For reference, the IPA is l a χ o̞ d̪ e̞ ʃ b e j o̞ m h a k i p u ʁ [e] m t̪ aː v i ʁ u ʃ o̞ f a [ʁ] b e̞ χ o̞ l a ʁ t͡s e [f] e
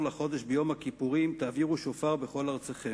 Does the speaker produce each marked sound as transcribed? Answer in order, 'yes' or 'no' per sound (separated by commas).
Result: no, yes, no